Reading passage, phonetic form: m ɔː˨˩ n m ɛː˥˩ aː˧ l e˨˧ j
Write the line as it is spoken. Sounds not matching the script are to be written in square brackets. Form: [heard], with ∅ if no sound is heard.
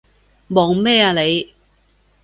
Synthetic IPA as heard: m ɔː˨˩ [ŋ] m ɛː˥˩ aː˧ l e˨˧ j